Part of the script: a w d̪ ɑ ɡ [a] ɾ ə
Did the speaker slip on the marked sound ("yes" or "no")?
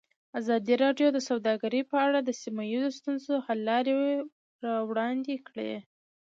no